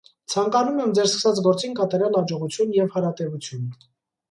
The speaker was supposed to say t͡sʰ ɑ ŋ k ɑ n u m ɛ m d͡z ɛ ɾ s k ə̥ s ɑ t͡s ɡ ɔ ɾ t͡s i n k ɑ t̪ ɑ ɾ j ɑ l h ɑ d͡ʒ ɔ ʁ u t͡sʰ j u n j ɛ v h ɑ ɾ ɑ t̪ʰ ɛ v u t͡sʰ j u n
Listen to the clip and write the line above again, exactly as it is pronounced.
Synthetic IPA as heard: t͡sʰ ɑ ŋ k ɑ n u m ɛ m d͡z ɛ ɾ s k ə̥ s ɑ t͡s ɡ ɔ ɾ t͡s i n k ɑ t̪ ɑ ɾ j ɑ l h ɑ d͡ʒ ɔ ʁ u t͡sʰ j u n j ɛ v h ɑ ɾ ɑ t̪ ɛ v u t͡sʰ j u n